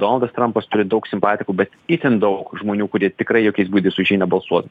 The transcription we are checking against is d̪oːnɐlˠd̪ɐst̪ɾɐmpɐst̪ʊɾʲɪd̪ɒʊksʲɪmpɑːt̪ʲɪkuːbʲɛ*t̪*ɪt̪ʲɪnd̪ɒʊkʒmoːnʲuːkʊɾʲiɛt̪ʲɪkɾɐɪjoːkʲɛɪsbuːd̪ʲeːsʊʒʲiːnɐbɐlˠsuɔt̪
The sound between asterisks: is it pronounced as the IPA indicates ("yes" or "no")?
yes